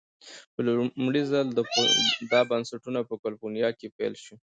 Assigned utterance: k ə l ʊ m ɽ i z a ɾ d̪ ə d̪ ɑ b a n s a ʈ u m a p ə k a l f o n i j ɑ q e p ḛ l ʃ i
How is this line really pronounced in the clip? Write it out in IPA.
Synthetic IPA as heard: p ə l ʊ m ɽ i z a l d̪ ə d̪ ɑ b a n s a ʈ u n a p ə k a l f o n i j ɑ k e p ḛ l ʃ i